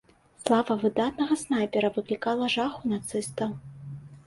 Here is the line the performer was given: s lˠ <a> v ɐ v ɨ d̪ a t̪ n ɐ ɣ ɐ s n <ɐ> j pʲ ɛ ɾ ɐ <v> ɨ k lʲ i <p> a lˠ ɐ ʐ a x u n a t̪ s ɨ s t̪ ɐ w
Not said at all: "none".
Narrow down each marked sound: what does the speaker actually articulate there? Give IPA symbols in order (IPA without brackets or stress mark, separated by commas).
a, a, v, k